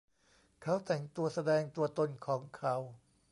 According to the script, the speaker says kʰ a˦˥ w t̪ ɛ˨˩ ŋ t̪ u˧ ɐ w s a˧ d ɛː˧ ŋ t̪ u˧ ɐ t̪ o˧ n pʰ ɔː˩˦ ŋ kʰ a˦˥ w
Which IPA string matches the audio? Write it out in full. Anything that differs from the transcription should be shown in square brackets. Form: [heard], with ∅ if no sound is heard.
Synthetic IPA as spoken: kʰ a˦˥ w t̪ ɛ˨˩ ŋ t̪ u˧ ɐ [∅] s a˧ d ɛː˧ ŋ t̪ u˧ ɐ t̪ o˧ n [kʰ] ɔː˩˦ ŋ kʰ a˦˥ w